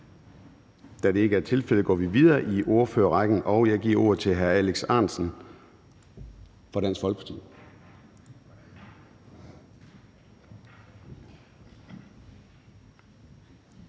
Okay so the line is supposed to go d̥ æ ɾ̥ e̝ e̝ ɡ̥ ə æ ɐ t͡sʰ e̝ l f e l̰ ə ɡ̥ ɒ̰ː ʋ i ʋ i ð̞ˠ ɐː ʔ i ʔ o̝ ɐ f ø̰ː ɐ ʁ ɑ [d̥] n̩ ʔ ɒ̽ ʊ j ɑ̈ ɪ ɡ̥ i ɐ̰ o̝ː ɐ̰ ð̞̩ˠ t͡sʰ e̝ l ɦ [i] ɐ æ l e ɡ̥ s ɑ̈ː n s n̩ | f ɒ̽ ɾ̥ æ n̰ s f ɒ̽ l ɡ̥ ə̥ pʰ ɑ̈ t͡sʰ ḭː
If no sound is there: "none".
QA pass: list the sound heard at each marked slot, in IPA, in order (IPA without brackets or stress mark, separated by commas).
ɡ̥, æ